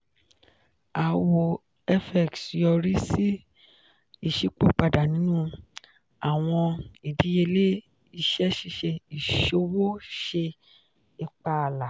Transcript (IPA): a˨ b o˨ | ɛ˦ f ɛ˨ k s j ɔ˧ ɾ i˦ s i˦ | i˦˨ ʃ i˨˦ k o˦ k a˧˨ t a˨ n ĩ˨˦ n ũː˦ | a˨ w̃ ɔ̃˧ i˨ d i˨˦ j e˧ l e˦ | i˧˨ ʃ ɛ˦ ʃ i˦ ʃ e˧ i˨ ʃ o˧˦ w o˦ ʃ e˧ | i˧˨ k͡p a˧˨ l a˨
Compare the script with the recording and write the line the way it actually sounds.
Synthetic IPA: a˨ w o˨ | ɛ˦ f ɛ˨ k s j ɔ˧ ɾ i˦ s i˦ | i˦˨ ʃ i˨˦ k͡p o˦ k͡p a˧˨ d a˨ n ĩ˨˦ n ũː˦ | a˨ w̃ ɔ̃˧ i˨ d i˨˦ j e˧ l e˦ | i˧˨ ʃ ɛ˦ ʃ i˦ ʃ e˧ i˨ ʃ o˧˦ w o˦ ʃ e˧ | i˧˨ k͡p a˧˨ l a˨